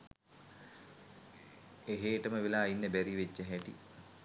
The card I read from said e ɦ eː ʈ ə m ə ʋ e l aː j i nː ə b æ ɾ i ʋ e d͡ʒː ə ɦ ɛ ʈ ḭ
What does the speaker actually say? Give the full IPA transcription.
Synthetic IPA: e ɦ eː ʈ ə m ə ʋ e l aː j i nː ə b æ ɾ i ʋ e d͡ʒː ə ɦ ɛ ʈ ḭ